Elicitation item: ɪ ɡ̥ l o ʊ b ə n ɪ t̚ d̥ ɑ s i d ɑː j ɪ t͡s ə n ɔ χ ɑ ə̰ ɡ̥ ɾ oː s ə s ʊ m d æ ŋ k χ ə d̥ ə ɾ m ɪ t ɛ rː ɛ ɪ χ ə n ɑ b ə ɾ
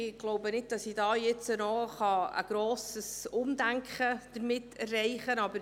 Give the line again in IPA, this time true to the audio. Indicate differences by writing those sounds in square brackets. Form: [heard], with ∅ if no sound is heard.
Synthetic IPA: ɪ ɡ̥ l o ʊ b ə n ɪ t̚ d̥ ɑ s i d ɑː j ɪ t͡s ə n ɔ χ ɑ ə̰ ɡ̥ ɾ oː s ə s ʊ m d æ ŋ k χ ə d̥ ə ɾ m ɪ t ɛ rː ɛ ɪ χ ə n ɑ b ə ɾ